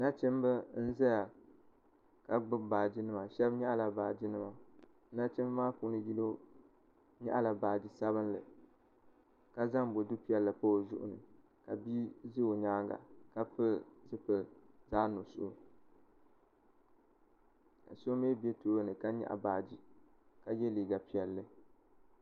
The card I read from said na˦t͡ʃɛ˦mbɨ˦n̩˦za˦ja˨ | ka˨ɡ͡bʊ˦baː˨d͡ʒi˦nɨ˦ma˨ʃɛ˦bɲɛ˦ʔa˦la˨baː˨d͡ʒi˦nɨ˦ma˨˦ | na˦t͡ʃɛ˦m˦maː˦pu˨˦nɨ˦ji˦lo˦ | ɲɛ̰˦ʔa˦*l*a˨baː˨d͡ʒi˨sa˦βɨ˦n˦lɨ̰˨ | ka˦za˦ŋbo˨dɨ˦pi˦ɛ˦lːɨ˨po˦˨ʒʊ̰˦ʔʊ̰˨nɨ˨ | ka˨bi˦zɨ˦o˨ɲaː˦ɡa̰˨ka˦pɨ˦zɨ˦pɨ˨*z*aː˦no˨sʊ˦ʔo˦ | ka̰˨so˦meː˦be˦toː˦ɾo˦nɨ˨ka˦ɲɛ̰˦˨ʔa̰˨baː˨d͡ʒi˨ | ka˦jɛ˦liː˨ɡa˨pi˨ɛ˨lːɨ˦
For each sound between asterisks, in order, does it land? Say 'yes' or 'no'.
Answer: yes, yes

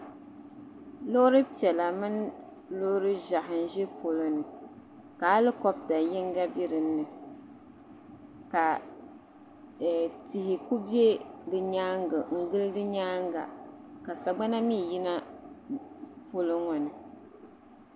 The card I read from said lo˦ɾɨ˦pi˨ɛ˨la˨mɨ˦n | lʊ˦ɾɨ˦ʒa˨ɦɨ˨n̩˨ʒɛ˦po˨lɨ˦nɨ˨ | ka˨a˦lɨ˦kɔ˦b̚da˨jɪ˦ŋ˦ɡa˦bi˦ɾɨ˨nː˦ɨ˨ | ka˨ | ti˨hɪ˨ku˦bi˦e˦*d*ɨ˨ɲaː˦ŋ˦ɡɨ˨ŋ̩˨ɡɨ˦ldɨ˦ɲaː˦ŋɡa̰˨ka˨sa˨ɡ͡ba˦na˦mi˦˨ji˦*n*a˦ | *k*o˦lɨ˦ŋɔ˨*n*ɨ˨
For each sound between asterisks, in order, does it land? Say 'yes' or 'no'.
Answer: yes, yes, no, yes

